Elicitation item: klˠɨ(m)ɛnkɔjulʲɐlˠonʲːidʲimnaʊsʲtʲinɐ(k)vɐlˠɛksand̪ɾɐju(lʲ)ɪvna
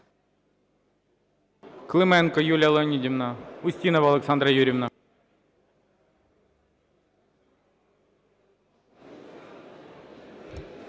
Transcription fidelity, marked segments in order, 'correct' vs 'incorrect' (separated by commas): correct, incorrect, incorrect